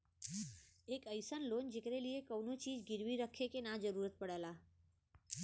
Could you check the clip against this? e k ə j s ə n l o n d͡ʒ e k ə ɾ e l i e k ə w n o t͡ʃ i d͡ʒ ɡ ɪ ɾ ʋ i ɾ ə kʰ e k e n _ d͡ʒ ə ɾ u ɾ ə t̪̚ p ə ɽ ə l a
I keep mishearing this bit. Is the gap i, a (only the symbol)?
a